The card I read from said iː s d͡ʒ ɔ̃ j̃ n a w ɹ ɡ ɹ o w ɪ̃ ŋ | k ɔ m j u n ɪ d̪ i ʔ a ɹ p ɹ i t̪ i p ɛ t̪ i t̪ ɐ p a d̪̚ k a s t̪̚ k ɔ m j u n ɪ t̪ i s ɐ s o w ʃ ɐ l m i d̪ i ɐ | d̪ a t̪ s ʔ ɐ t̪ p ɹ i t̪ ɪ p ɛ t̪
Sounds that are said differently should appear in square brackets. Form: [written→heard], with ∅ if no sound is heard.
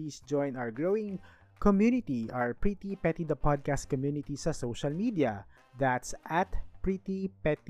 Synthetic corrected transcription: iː s d͡ʒ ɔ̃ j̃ n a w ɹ ɡ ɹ o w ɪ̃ ŋ | k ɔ m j u n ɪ [d̪→t̪] i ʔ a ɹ p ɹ i t̪ i p ɛ t̪ i [t̪→d̪] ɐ p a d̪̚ k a s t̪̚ k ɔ m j u n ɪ t̪ i s ɐ s o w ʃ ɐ l m i d̪ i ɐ | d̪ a t̪ s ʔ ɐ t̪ p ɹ i t̪ [ɪ→i] p ɛ t̪